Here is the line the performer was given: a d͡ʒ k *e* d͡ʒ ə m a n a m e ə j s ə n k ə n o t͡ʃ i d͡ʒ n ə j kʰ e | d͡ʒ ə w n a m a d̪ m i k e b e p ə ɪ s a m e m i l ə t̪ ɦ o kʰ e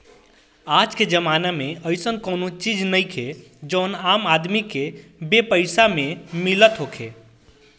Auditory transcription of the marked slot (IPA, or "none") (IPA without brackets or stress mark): e